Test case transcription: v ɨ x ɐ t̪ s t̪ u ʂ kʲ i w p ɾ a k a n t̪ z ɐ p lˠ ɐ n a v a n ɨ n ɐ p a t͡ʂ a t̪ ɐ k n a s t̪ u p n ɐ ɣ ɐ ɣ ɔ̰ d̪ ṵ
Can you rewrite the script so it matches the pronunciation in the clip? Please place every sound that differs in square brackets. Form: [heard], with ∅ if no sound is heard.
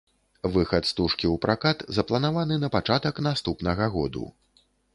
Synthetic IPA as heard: v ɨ x ɐ t̪ s t̪ u ʂ kʲ i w p ɾ a k a [∅] t̪ z ɐ p lˠ ɐ n a v a n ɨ n ɐ p a t͡ʂ a t̪ ɐ k n a s t̪ u p n ɐ ɣ ɐ ɣ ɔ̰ d̪ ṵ